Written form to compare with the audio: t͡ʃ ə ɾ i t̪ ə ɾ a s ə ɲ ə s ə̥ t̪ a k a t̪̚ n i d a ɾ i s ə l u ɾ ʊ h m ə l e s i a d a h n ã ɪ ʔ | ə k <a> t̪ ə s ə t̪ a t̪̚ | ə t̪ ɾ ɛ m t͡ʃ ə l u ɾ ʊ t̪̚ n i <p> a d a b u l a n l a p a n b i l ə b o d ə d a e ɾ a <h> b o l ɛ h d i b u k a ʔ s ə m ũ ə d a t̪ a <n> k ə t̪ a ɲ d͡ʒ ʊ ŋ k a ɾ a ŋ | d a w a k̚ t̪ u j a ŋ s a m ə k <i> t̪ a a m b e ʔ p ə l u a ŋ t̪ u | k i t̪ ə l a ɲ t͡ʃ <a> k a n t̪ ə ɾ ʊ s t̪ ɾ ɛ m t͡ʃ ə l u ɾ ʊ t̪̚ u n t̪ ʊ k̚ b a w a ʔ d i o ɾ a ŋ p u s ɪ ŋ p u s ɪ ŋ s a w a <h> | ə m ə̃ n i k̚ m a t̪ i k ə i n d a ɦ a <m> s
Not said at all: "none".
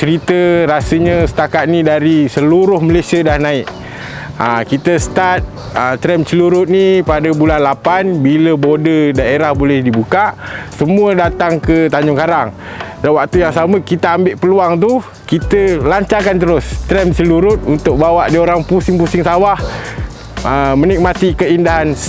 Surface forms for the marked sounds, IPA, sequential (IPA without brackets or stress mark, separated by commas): i, p, h, ŋ, i, a, h, n